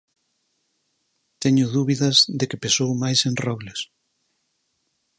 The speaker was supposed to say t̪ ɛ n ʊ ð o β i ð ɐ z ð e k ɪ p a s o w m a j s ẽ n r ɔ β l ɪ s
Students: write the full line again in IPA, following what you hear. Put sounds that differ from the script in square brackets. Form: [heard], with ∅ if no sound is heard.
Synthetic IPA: t̪ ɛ [ɲ] ʊ ð [u] β i ð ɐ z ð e k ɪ p [e] s o w m a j s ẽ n r ɔ β l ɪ s